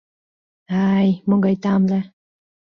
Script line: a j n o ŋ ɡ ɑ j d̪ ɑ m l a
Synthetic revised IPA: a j m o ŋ ɡ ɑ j t̪ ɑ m l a